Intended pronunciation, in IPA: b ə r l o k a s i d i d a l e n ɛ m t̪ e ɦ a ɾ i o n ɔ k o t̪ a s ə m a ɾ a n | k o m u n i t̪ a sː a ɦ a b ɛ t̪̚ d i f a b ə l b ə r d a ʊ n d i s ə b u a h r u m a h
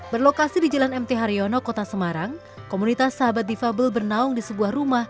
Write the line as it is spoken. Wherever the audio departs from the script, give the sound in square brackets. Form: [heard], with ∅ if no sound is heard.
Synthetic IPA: b ə r l o k a s i d i [d͡ʒ] a l [a] n ɛ m t̪ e ɦ a ɾ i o n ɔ k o t̪ a s ə m a ɾ a [ŋ] | k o m u n i t̪ a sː a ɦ a b [a] t̪̚ d i f a b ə l b ə r [n] a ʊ [ŋ] d i s ə b u a h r u m a h